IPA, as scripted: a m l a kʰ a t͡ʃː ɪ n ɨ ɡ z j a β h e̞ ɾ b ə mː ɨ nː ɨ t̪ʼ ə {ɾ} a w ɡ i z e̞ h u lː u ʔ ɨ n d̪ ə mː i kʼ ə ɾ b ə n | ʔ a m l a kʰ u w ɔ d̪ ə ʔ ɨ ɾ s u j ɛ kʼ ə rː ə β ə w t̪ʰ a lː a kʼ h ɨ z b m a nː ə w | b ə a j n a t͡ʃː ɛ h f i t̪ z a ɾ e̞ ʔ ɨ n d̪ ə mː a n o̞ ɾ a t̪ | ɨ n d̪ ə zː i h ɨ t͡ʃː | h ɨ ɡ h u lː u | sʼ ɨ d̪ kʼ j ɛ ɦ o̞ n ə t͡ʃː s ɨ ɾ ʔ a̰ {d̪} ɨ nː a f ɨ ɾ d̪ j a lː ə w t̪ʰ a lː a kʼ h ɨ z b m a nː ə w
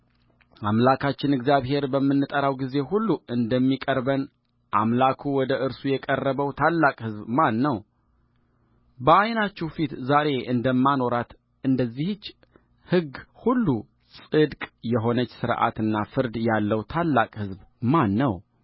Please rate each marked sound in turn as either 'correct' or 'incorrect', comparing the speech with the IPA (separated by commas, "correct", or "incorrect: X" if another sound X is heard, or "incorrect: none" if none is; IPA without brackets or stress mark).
correct, incorrect: t̪